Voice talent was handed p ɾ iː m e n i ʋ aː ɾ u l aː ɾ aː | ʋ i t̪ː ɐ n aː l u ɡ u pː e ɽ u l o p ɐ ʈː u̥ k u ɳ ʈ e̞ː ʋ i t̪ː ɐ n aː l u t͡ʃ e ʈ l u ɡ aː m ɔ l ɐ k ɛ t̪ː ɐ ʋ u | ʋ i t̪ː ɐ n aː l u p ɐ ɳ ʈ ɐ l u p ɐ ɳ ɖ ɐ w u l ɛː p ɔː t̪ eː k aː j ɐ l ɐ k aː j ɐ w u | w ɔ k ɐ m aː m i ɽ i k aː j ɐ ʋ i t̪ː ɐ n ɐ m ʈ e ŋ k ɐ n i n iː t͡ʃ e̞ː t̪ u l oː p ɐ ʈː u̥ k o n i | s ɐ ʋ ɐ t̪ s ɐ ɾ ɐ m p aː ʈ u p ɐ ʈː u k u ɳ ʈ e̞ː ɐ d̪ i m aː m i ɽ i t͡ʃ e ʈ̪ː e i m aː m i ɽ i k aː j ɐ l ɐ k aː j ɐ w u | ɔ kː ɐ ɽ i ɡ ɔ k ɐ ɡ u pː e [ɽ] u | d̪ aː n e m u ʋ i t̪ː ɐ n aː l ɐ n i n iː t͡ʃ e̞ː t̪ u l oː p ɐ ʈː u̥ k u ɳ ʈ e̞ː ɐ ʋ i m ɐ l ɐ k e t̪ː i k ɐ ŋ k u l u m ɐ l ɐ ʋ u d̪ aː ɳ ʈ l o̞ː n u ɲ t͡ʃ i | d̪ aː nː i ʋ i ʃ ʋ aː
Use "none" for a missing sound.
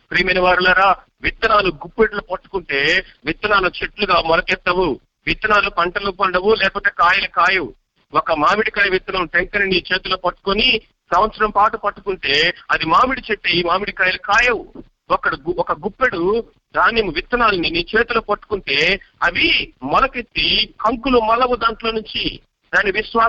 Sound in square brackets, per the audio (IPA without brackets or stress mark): ɽ